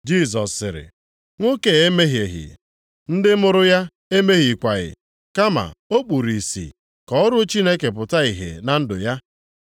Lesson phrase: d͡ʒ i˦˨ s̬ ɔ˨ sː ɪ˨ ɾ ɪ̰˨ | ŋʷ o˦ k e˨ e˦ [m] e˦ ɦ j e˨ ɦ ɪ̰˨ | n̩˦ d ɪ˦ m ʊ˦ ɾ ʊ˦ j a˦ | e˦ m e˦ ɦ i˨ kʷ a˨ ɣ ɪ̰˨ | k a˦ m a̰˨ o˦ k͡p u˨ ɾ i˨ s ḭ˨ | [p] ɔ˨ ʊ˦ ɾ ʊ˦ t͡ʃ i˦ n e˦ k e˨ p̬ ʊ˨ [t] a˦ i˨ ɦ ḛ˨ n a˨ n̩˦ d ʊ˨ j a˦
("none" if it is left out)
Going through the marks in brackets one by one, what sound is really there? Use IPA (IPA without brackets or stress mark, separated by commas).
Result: m, k, t